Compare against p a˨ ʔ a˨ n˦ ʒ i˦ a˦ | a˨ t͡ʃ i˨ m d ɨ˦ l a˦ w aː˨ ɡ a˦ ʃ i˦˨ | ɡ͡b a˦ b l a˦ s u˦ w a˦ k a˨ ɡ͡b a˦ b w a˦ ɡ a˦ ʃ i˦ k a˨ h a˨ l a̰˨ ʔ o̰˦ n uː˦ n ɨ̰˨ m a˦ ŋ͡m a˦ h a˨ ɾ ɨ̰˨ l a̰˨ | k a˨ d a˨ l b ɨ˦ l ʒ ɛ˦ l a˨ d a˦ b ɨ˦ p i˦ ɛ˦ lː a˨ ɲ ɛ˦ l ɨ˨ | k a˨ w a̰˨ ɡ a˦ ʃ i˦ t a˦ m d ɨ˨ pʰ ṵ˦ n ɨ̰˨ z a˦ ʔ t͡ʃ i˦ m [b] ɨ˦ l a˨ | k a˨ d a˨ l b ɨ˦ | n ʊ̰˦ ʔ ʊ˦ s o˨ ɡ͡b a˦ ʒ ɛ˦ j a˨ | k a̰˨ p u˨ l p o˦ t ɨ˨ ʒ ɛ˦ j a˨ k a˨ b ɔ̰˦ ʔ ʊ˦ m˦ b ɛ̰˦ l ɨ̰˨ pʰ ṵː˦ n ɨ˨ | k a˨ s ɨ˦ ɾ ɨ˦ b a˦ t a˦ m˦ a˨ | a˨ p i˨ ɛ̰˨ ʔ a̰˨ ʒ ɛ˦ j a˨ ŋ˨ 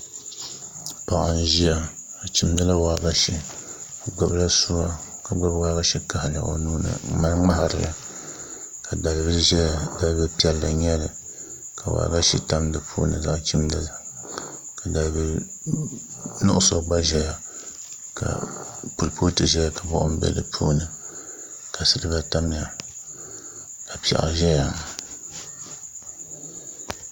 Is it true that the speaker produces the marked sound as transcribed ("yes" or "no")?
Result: no